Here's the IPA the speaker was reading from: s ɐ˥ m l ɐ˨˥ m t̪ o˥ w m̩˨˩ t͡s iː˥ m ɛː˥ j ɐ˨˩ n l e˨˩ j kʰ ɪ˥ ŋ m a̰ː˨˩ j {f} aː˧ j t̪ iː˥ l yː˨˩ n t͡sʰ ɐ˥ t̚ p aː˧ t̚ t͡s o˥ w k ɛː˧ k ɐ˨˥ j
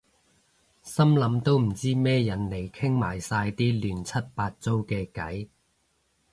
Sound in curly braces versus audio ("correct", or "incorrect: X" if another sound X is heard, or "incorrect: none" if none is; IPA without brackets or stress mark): incorrect: s